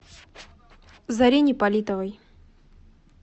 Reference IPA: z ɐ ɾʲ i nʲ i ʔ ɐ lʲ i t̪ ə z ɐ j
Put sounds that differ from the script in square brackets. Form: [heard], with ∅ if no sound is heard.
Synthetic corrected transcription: z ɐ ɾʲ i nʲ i [p] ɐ lʲ i t̪ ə [v] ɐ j